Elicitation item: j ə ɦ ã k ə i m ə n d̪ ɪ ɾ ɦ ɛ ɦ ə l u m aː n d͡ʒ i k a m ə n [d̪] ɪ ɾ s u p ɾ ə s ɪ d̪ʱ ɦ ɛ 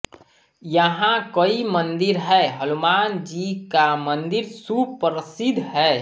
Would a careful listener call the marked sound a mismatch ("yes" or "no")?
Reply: no